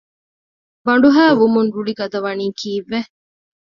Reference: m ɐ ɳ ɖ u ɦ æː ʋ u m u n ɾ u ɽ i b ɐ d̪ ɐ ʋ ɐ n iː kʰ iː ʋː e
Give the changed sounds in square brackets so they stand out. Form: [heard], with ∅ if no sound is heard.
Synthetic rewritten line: [b] ɐ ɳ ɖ u ɦ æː ʋ u m u n ɾ u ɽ i [ɡ] ɐ d̪ ɐ ʋ ɐ n iː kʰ iː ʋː e

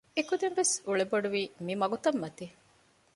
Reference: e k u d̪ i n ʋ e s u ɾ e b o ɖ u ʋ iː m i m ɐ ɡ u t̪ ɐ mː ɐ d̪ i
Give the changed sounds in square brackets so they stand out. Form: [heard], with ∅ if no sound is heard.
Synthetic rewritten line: e k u d̪ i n ʋ e s u [ɭ] e b o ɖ u ʋ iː m i m ɐ ɡ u t̪ ɐ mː ɐ [t̪] i

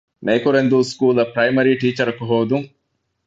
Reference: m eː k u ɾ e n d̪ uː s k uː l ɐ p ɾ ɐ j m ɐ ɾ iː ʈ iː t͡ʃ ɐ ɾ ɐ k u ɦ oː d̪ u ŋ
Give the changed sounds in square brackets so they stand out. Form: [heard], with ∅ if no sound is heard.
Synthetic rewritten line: m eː k u ɾ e n d̪ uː s k uː l ɐ p ɾ ɐ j m ɐ ɾ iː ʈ iː t͡ʃ ɐ ɾ ɐ k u ɦ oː d̪ u ŋ

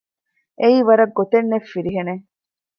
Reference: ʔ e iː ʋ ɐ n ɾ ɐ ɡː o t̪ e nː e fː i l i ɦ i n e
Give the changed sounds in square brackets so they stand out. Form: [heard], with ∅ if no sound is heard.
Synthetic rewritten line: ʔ e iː ʋ ɐ [∅] ɾ ɐ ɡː o t̪ e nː e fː i [ɾ] i ɦ [e] n e

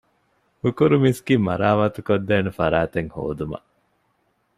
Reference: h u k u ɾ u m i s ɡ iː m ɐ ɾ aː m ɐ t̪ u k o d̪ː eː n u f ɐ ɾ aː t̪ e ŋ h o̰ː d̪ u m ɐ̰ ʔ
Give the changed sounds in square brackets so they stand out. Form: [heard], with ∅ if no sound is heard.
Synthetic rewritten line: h u k u ɾ u m i s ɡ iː m ɐ ɾ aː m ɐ t̪ u k o d̪ː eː n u f ɐ ɾ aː t̪ e ŋ h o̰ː d̪ u m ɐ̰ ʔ

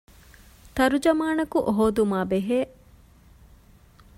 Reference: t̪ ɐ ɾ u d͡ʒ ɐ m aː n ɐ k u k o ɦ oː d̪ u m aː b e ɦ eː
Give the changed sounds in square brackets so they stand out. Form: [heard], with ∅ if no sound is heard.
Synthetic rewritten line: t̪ ɐ ɾ u d͡ʒ ɐ m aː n ɐ k u [ʔ] o ɦ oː d̪ u m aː b e ɦ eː

